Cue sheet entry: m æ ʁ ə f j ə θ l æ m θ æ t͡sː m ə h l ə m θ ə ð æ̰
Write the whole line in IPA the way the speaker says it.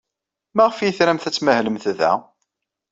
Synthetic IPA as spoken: m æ ʁ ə f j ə θ ɾ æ m θ æ t͡sː m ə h l ə m θ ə ð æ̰